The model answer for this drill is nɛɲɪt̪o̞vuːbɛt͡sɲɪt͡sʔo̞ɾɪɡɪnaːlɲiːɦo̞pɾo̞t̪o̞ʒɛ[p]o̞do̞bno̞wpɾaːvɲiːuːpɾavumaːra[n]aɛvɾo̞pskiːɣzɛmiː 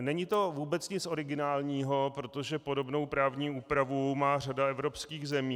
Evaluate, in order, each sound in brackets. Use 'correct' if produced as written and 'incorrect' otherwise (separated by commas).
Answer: correct, incorrect